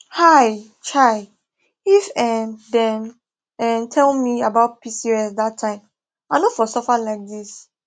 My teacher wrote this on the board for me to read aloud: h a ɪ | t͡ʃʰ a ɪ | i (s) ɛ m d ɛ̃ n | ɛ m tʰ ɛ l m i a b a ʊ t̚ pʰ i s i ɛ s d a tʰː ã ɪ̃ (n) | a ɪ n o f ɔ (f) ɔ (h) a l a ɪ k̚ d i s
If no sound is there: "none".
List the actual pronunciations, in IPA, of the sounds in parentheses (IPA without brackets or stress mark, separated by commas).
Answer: f, m, s, f